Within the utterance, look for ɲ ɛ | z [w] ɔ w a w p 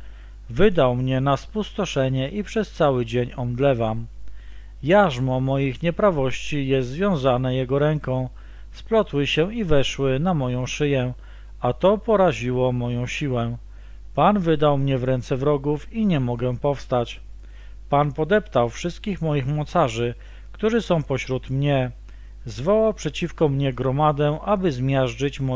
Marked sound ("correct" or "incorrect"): incorrect